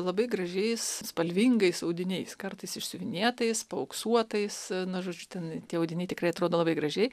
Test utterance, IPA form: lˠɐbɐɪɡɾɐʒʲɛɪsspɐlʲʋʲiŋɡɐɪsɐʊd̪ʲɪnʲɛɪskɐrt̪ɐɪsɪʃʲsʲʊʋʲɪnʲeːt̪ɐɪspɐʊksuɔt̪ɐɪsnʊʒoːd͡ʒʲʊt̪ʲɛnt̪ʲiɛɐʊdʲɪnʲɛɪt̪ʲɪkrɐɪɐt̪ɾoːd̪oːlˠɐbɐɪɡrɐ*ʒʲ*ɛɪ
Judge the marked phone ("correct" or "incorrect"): correct